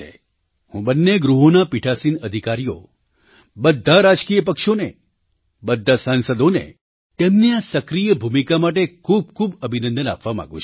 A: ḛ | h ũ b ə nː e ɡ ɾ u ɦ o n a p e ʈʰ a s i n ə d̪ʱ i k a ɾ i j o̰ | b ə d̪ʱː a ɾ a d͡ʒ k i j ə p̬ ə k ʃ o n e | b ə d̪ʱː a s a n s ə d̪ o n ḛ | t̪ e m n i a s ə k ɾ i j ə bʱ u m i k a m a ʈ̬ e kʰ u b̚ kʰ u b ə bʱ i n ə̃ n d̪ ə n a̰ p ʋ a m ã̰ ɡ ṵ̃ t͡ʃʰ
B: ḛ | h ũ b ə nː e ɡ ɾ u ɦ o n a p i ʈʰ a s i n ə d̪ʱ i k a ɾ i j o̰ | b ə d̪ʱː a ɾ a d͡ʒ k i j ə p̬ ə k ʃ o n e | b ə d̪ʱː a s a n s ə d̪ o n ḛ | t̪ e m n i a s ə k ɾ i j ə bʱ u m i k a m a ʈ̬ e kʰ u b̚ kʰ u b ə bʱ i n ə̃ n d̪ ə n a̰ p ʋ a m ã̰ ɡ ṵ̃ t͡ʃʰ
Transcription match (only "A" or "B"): B